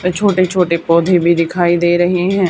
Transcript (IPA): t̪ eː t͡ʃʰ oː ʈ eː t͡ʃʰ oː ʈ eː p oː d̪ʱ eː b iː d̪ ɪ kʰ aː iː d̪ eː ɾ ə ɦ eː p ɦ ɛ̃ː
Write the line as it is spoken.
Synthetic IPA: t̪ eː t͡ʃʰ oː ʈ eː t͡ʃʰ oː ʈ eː p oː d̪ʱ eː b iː d̪ ɪ kʰ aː iː d̪ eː ɾ ə ɦ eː ɦ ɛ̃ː

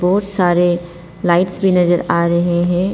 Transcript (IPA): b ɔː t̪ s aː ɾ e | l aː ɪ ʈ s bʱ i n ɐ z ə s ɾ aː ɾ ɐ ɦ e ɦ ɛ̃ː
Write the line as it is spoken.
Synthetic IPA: b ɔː t̪ s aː ɾ e | l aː ɪ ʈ s bʱ i n ɐ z ə ɾ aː ɾ ɐ ɦ e ɦ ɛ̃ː

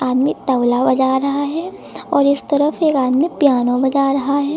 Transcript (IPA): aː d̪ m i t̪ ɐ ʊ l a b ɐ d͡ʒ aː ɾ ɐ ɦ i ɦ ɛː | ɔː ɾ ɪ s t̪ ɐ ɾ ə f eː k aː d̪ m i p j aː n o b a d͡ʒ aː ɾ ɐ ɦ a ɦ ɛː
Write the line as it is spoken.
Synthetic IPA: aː d̪ m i t̪ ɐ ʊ l a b ɐ d͡ʒ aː ɾ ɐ ɦ a ɦ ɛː | ɔː ɾ ɪ s t̪ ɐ ɾ ə f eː k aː d̪ m i p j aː n o b ɐ d͡ʒ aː ɾ ɐ ɦ a ɦ ɛː

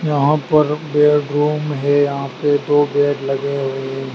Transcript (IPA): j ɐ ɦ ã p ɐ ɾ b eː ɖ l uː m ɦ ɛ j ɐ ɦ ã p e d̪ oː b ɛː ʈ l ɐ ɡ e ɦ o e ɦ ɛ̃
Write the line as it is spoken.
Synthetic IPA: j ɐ ɦ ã p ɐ ɾ b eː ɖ ɾ uː m ɦ ɛ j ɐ ɦ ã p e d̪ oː b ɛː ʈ l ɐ ɡ e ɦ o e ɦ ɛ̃

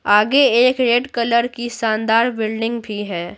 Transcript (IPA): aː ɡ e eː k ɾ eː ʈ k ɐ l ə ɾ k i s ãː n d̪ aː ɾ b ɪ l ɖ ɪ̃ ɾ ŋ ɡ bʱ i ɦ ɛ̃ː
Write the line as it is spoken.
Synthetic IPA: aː ɡ e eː k ɾ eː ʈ k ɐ l ə ɾ k i s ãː n d̪ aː ɾ b ɪ l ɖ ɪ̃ ŋ ɡ bʱ i ɦ ɛː

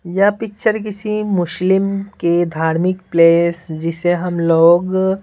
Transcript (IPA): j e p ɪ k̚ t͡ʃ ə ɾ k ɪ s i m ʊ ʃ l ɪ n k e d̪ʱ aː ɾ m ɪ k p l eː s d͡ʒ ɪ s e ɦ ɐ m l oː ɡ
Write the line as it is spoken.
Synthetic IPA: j a p ɪ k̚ t͡ʃ ə ɾ k ɪ s i m ʊ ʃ l ɪ m k e d̪ʱ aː ɾ m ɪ k p l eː s d͡ʒ ɪ s e ɦ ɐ m l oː ɡ

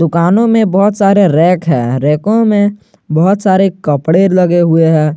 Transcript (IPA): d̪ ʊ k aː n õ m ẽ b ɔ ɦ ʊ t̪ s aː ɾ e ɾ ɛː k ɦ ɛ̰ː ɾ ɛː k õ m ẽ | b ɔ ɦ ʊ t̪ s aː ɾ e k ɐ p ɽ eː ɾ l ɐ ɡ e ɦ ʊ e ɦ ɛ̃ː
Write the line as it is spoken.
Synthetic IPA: d̪ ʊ k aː n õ m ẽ b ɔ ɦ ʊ t̪ s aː ɾ e ɾ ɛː k ɦ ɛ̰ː ɾ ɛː k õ m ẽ | b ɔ ɦ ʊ t̪ s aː ɾ e k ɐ p ɽ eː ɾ l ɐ ɡ e ɦ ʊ e ɦ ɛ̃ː

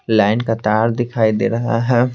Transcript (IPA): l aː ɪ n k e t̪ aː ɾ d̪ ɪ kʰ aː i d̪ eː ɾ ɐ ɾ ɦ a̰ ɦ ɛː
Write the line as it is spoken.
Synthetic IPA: l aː ɪ n k a t̪ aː ɾ d̪ ɪ kʰ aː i d̪ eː ɾ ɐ ɦ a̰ ɦ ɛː

